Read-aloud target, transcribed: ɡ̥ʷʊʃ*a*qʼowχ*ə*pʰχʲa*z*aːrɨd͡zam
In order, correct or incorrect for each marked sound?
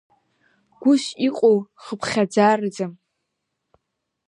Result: incorrect: i, correct, incorrect: d͡z

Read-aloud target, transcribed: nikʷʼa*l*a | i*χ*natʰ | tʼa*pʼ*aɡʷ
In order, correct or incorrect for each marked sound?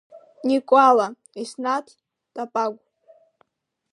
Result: correct, incorrect: s, correct

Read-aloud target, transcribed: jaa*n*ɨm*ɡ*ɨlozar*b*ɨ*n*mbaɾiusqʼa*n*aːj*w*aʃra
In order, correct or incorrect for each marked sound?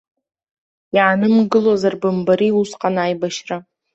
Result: correct, correct, correct, incorrect: none, correct, incorrect: b

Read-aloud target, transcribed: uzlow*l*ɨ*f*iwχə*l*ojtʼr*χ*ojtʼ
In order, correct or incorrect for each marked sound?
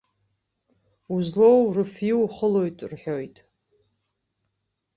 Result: incorrect: r, correct, correct, incorrect: ħ

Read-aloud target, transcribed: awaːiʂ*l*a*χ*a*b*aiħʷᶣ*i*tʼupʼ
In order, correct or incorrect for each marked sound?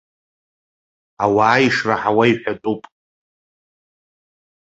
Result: incorrect: r, incorrect: ħ, incorrect: w, incorrect: a

